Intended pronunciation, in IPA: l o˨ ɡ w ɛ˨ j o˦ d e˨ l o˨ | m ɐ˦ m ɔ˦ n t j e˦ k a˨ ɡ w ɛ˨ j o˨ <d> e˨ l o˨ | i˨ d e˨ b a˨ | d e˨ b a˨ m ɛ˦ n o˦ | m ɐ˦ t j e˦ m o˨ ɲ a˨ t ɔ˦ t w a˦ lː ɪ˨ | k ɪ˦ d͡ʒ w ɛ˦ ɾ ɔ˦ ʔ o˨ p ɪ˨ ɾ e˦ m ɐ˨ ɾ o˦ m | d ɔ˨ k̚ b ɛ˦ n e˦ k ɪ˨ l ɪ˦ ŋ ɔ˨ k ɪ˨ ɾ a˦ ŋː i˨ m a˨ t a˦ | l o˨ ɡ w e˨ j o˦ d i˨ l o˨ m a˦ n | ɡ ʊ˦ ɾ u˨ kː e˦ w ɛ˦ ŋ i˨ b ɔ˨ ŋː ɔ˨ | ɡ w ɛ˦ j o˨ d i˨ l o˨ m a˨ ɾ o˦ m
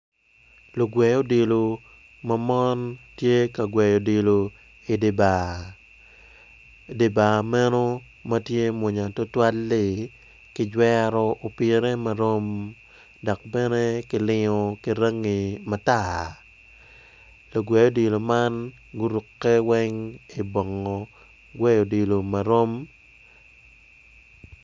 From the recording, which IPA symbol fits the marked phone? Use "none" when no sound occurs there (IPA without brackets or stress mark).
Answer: d